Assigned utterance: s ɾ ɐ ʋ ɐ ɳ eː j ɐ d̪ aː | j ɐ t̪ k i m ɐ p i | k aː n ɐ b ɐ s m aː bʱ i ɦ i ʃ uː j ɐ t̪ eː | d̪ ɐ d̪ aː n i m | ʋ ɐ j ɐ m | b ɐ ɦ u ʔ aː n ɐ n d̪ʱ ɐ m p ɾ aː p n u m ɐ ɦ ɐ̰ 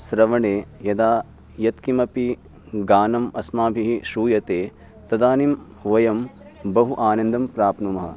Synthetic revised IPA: s ɾ ɐ ʋ ɐ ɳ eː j ɐ d̪ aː | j ɐ t̪ k i m ɐ p i | ɡ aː n ɐ m ɐ s m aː bʱ i ɦ i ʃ uː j ɐ t̪ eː | t̪ ɐ d̪ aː n i m | ʋ ɐ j ɐ m | b ɐ ɦ u ʔ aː n ɐ n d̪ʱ ɐ m p ɾ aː p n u m ɐ ɦ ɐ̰